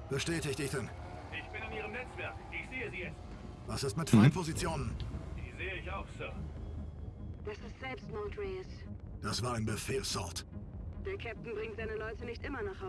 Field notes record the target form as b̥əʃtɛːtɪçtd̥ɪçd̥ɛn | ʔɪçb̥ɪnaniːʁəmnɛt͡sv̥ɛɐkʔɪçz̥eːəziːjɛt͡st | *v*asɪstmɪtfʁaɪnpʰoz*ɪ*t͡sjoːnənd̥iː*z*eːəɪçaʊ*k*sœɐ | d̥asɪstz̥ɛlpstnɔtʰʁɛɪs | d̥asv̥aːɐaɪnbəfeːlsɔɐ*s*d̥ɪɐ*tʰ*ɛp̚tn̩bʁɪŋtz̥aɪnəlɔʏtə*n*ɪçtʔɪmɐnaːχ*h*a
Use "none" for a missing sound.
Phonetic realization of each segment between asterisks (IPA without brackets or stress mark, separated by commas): v, i, z, x, t, kʰ, n, h